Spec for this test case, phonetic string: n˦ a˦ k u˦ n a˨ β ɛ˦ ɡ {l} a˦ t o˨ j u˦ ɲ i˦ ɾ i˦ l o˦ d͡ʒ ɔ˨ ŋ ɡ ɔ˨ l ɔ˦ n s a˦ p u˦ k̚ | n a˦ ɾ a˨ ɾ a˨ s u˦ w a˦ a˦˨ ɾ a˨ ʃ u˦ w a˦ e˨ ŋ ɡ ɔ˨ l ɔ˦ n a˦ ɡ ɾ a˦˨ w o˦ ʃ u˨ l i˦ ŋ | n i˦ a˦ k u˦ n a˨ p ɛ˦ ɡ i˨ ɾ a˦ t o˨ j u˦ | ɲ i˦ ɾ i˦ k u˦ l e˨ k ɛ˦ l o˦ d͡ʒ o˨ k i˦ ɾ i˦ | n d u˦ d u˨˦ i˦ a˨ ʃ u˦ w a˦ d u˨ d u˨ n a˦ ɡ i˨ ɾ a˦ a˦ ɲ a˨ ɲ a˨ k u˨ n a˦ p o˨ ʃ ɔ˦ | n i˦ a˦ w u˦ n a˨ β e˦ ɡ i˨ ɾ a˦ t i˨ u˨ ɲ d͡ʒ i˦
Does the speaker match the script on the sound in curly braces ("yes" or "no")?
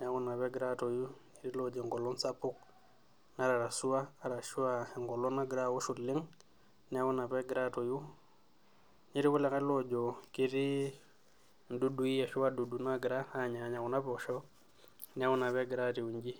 no